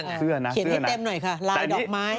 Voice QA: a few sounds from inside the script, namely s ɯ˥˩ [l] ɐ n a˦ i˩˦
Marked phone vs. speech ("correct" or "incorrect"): incorrect